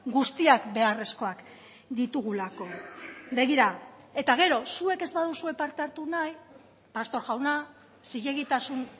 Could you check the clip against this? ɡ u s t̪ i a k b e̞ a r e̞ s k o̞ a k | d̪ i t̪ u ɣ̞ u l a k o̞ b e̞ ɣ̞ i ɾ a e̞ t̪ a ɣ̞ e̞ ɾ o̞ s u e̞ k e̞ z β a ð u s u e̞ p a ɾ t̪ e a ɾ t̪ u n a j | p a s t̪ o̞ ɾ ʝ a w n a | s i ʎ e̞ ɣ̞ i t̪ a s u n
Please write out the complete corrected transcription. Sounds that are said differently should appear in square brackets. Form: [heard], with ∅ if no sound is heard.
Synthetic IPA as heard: ɡ u s t̪ i a k b e̞ a r e̞ s k o̞ a k | d̪ i t̪ u ɣ̞ u l a k o̞ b e̞ ɣ̞ i ɾ a e̞ t̪ a ɣ̞ e̞ ɾ o̞ s u e̞ k e̞ z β a ð u s u e̞ p a ɾ t̪ e a ɾ t̪ u n a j | p a s t̪ o̞ ɾ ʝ a w n a | s i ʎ e̞ ɣ̞ i t̪ a s u n